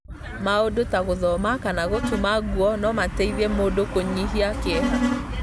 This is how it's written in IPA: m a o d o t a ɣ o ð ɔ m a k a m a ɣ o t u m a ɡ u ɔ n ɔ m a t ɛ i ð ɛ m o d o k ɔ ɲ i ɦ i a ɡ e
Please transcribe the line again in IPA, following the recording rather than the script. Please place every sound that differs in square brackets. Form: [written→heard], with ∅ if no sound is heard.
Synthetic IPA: m a o d o t a ɣ o ð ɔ m a k a [m→n] a ɣ o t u m a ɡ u ɔ n ɔ m a t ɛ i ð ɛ m o d o k [ɔ→o] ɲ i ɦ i a [ɡ→k] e

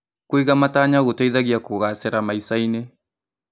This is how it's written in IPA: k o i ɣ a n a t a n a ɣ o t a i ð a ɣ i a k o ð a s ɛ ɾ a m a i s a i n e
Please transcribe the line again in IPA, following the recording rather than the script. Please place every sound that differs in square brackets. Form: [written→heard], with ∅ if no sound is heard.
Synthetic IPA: k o i ɣ a [n→m] a t a [n→ɲ] a ɣ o t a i ð a ɣ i a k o [ð→ɣ] a s ɛ ɾ a m a i s a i n e

